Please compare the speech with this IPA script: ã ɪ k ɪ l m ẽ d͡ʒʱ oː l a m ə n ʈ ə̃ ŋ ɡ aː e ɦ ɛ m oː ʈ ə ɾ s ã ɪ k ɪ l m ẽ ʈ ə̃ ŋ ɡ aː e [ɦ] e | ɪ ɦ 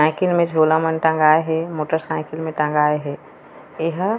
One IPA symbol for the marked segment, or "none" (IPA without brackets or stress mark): ɦ